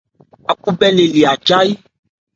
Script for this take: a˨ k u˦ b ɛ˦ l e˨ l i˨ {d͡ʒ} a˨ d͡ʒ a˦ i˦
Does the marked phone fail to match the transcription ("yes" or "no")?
yes